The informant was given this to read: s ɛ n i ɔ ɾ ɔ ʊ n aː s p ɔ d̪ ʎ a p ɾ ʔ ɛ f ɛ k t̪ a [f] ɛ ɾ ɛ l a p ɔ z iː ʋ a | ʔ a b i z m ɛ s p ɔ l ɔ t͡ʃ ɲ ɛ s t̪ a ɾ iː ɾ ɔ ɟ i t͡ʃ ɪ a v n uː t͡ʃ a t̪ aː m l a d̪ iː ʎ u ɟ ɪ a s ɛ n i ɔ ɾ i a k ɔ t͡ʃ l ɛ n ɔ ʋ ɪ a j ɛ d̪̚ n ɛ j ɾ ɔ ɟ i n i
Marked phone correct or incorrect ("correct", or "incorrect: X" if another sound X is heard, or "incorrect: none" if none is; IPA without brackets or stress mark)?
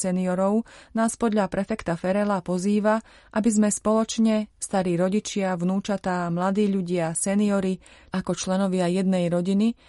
correct